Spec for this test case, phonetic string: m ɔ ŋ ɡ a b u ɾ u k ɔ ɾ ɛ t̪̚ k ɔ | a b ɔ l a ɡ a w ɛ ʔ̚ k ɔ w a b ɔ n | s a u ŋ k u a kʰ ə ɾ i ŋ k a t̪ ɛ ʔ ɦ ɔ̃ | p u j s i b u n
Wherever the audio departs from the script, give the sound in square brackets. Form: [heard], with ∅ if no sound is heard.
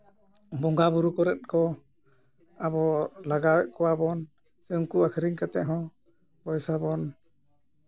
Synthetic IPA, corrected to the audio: [b] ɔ ŋ ɡ a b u ɾ u k ɔ ɾ ɛ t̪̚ k ɔ | a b ɔ l a ɡ a w ɛ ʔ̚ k ɔ w a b ɔ n | s [ɛ] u ŋ k u a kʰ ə ɾ i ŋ k a t̪ ɛ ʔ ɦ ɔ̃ | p [ɔ] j s [a] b [ɔ] n